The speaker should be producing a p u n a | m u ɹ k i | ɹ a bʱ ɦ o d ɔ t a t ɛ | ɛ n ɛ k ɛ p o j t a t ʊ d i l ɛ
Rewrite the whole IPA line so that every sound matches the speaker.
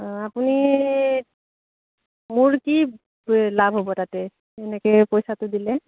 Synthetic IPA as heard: a p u n i | m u ɹ k i | l a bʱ ɦ o b ɔ t a t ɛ | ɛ n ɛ k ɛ p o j s a t ʊ d i l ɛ